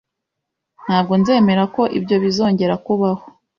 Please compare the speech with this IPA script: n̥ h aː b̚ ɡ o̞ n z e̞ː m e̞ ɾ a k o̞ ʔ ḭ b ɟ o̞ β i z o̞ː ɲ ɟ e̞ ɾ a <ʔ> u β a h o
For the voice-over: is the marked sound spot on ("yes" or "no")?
no